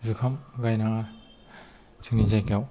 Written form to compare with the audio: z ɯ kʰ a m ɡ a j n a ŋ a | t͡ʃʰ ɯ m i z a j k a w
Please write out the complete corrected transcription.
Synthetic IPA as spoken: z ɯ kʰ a m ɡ a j n a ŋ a | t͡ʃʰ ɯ ŋ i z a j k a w